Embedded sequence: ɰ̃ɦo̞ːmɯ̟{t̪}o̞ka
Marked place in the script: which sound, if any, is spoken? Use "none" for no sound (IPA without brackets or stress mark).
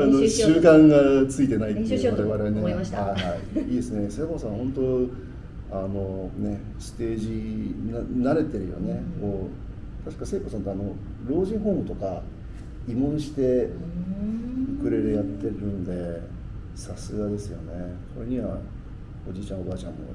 t̪